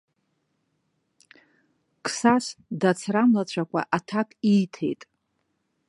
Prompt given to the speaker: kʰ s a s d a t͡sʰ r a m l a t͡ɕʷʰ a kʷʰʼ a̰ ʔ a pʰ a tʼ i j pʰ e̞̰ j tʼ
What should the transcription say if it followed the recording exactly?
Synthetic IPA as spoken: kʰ s a s d a t͡sʰ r a m l a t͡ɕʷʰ a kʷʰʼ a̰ ʔ a tʰ a kʼ i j tʰ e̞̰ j tʼ